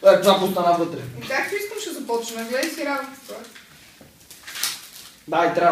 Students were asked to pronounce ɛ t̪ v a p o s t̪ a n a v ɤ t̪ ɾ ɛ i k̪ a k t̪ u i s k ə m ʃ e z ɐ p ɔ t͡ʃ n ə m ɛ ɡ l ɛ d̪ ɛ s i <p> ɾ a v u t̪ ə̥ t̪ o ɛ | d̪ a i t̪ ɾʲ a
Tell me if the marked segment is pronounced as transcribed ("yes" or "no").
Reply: no